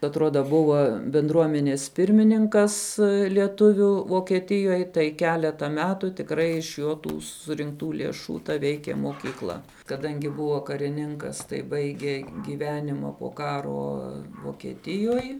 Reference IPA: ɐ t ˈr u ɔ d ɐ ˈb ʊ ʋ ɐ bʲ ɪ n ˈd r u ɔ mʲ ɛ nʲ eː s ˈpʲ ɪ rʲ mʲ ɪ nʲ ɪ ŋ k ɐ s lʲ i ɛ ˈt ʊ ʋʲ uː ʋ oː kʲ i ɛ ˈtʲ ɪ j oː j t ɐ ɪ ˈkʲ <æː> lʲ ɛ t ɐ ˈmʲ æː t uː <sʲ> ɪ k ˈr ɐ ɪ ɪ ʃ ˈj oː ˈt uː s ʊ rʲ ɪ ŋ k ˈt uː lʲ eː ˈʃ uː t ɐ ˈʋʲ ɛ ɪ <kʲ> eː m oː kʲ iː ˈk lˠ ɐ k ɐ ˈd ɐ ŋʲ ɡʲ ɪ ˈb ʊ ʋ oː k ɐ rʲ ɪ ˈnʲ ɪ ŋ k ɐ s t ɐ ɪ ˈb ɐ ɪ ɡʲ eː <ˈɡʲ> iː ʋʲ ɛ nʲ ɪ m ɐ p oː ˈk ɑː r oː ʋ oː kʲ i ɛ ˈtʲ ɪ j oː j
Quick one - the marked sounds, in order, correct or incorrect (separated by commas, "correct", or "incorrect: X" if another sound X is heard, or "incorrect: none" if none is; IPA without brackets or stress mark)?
correct, incorrect: tʲ, correct, correct